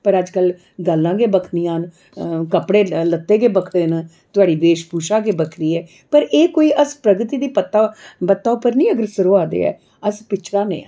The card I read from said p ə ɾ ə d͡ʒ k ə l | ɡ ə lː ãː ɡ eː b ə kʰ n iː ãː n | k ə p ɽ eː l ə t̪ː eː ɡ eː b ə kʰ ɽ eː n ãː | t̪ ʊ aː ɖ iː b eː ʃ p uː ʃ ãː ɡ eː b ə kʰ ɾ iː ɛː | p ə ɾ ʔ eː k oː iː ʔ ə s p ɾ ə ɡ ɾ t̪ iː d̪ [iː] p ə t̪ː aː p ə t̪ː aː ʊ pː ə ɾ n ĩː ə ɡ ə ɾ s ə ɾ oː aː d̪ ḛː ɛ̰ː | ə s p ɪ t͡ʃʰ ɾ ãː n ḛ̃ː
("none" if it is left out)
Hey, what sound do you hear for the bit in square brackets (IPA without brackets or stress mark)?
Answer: iː